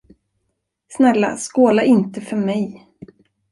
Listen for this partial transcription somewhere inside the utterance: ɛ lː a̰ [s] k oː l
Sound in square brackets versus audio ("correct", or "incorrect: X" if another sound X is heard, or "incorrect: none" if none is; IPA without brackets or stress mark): correct